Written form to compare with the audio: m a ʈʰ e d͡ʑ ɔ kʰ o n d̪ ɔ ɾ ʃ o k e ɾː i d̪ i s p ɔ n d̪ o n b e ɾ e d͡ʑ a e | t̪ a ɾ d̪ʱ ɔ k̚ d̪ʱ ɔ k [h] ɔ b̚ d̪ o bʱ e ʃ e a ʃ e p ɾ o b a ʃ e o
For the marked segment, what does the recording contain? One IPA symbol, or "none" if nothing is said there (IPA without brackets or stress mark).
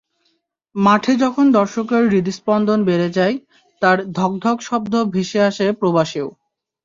ʃ